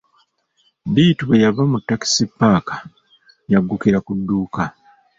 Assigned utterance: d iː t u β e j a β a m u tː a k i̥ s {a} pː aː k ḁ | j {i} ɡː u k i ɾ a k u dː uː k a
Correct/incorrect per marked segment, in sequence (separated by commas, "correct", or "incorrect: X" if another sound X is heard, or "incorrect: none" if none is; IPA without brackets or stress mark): incorrect: i, incorrect: a